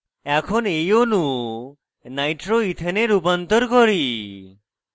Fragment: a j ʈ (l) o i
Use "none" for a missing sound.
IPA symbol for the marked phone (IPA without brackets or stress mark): ɾ